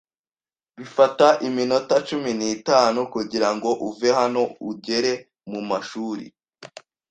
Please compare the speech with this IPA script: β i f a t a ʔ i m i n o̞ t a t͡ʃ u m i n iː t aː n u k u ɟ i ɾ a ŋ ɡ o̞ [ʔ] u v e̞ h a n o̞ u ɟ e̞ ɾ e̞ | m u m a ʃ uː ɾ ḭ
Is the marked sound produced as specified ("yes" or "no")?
yes